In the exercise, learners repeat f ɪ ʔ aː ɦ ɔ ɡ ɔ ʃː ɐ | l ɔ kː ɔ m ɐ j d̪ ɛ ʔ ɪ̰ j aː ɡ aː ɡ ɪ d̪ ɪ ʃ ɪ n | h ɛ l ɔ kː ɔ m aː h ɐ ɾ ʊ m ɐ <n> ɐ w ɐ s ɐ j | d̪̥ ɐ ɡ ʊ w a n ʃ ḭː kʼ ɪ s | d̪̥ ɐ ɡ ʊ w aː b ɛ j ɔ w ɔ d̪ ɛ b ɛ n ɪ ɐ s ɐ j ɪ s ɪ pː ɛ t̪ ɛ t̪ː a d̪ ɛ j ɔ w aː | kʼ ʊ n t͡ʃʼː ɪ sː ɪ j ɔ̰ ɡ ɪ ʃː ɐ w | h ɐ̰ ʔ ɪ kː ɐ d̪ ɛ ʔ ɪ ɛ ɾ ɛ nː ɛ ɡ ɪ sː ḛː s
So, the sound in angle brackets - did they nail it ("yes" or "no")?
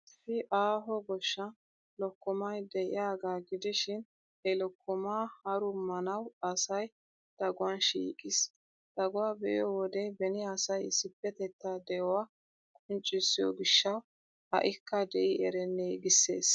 yes